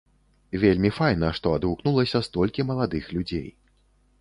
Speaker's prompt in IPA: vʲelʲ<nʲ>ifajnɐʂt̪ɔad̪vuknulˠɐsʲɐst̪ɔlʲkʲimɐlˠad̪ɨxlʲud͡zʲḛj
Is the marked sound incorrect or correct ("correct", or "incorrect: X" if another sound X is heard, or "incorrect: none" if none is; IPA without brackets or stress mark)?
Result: incorrect: mʲ